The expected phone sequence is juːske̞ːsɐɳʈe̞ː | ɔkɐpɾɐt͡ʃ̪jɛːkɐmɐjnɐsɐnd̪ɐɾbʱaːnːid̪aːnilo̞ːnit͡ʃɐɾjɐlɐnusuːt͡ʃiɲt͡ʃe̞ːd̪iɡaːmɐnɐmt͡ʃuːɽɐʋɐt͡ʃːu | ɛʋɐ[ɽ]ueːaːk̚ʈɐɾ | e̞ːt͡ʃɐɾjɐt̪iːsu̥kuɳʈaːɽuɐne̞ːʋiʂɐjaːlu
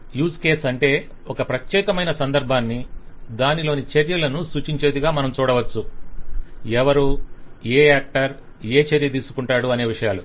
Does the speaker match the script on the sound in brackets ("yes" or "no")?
no